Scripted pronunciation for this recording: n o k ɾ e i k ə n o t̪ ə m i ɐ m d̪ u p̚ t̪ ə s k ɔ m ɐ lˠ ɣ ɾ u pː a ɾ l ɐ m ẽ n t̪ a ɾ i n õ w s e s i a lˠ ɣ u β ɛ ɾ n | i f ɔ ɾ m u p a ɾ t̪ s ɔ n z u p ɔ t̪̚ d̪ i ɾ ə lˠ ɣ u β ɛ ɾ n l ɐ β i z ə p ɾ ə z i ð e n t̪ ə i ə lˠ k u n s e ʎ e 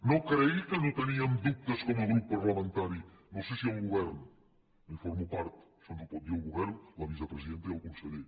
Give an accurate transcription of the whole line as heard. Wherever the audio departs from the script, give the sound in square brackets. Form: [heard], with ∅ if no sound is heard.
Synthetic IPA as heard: n o k ɾ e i k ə n o t̪ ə [n] i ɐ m d̪ u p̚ t̪ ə s k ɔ m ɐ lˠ ɣ ɾ u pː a ɾ l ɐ m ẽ n t̪ a ɾ i n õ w s e s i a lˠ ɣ u β ɛ ɾ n | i f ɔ ɾ m u p a ɾ t̪ s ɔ n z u p ɔ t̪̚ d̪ i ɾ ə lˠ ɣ u β ɛ ɾ n l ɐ β i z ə p ɾ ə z i ð e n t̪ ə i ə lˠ k u n s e ʎ e